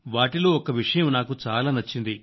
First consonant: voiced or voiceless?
voiced